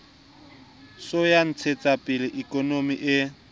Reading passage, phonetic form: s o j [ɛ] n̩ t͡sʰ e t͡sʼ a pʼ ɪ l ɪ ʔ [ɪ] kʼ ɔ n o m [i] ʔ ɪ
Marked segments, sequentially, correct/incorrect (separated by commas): incorrect, incorrect, correct